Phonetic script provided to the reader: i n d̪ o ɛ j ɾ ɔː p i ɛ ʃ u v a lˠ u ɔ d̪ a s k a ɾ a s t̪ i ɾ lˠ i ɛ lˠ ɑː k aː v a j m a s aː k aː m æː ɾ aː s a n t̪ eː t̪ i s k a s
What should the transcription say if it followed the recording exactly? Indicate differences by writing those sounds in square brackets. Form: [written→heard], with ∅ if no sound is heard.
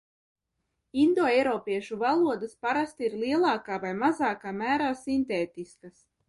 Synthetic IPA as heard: i n d̪ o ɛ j ɾ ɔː p i ɛ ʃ u v a lˠ u ɔ d̪ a s [k→p] a ɾ a s t̪ i ɾ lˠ i ɛ lˠ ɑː k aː v a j m a [s→z] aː k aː m æː ɾ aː s [a→i] n t̪ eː t̪ i s k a s